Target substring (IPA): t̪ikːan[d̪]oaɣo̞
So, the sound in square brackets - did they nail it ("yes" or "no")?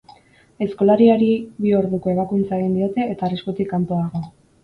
no